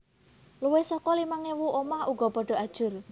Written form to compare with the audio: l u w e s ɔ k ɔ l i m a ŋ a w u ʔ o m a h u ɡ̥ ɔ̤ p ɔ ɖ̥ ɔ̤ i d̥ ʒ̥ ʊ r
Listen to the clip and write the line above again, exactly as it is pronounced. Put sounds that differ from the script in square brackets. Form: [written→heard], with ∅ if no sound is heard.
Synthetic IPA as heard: l u w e s ɔ k ɔ l i m a ŋ [a→e] w u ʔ o m a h u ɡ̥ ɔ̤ p ɔ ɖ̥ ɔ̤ [i→a] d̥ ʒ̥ ʊ r